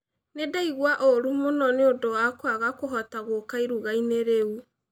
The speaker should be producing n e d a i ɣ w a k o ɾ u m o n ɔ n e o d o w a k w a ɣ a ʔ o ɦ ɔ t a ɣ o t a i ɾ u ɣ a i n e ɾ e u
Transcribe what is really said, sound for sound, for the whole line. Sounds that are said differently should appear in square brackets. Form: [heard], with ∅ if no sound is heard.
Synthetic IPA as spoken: n e d a i ɣ w a [ʔ] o ɾ u m o n ɔ n e o d o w a k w a ɣ a [k] o ɦ ɔ t a ɣ o [k] a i ɾ u ɣ a i n e ɾ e u